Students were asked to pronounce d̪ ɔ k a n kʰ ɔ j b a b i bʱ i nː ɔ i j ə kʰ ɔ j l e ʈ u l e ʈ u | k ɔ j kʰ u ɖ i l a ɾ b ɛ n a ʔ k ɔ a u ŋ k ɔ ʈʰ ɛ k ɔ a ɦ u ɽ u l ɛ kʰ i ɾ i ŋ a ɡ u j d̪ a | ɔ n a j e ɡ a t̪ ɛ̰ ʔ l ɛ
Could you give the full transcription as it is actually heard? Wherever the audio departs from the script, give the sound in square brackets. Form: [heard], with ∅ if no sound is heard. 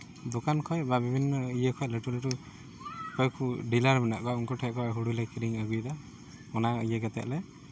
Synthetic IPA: d̪ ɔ k a n kʰ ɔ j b a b i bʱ i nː ɔ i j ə kʰ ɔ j l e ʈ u l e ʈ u | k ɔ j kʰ u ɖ i l a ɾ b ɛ n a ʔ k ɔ a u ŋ k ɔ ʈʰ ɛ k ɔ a ɦ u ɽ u l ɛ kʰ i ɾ i ŋ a ɡ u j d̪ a | ɔ n a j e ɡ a t̪ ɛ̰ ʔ l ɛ